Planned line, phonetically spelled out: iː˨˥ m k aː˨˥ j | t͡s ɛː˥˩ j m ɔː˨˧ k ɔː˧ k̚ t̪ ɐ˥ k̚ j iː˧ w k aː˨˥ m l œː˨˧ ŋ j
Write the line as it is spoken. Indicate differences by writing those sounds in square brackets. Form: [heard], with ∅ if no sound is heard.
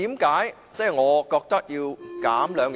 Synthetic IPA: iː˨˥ m k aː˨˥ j | t͡s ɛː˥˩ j [ŋ] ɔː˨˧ k ɔː˧ k̚ t̪ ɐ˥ k̚ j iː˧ w k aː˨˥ m l œː˨˧ ŋ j

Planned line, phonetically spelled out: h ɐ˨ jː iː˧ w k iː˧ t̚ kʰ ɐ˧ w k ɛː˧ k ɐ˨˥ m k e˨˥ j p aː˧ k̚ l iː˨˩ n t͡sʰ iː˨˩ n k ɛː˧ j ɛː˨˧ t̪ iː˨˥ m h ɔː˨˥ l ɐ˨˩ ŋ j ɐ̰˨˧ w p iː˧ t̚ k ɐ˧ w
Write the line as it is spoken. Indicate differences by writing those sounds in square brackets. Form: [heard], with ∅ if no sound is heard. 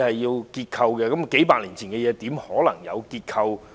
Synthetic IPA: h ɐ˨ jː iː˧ w k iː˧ t̚ kʰ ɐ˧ w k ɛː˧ k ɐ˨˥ m k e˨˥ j p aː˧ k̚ l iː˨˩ n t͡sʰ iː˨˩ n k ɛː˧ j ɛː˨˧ t̪ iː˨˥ m h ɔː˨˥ l ɐ˨˩ ŋ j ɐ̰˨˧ w [k] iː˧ t̚ [kʰ] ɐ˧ w

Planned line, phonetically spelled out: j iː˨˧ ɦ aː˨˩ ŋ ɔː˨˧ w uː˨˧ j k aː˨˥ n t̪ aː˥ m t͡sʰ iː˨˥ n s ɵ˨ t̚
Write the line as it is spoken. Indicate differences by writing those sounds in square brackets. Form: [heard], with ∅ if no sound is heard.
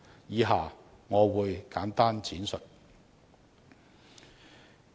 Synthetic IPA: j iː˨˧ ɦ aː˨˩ ŋ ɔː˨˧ w uː˨˧ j k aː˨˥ n t̪ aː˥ [n] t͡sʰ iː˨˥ n s ɵ˨ t̚

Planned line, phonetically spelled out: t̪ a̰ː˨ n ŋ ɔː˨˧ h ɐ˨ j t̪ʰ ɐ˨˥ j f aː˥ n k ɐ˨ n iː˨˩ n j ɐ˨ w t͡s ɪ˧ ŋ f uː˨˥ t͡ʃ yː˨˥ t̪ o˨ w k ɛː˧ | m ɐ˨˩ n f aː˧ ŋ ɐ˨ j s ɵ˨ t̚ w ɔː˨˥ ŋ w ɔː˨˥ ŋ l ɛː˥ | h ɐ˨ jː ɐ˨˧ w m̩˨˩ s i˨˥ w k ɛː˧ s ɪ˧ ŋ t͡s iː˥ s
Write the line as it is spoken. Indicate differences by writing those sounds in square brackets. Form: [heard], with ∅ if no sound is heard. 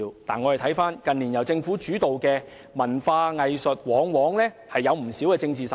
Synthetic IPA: t̪ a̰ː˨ n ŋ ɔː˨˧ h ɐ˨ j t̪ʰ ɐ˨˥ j f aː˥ n k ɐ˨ n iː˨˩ n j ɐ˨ w t͡s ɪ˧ ŋ f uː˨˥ t͡ʃ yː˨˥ t̪ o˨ w k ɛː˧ | m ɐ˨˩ n f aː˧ ŋ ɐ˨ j s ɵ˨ t̚ w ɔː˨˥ ŋ w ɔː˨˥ ŋ l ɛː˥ | h ɐ˨ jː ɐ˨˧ w m̩˨˩ s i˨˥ w k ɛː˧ [t͡s] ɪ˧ ŋ t͡s [iː˨˩] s

